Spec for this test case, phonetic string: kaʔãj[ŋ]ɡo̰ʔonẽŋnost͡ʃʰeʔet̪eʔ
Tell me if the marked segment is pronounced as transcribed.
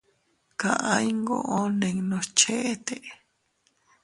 yes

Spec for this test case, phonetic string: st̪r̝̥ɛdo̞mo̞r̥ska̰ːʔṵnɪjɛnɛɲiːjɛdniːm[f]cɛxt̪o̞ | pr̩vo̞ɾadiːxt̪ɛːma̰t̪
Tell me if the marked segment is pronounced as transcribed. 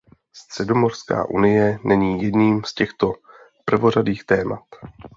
no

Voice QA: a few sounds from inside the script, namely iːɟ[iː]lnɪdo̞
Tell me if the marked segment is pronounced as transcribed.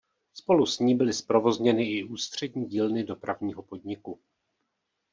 yes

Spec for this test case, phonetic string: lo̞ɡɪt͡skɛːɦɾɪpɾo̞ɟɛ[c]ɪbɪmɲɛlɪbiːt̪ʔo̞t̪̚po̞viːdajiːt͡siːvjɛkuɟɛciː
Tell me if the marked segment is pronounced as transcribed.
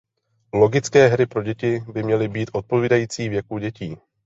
yes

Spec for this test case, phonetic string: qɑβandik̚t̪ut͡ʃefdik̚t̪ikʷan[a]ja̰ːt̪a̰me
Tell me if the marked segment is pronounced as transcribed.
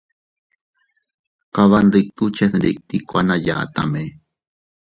yes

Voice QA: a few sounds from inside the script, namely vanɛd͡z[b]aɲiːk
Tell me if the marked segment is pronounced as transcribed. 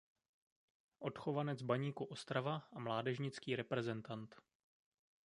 yes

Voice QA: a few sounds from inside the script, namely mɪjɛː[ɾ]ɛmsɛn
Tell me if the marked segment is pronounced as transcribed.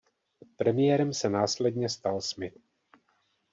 yes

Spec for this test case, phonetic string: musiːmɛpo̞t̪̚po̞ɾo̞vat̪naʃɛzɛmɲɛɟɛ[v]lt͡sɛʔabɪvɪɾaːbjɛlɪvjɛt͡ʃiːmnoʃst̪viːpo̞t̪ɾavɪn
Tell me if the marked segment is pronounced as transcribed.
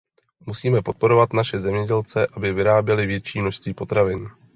no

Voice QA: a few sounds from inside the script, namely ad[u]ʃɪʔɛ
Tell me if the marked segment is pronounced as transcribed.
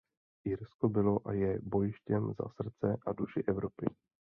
yes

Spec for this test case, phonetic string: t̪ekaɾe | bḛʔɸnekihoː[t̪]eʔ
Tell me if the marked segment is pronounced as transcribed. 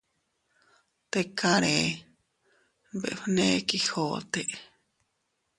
yes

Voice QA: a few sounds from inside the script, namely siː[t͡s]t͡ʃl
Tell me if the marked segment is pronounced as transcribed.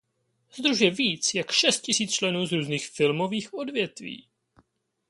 yes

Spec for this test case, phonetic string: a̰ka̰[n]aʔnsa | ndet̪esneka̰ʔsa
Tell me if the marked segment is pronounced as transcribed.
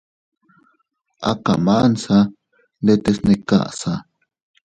no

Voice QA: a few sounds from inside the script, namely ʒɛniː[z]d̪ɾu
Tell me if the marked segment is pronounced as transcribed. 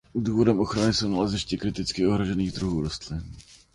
no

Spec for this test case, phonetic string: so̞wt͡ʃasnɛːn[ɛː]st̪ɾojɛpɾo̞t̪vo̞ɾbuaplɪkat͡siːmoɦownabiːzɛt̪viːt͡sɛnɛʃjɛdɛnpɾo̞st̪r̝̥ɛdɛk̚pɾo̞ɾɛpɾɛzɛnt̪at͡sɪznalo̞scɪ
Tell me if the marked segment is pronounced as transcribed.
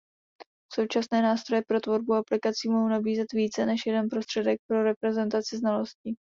no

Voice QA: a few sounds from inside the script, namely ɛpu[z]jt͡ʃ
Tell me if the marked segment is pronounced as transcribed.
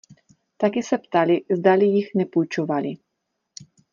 no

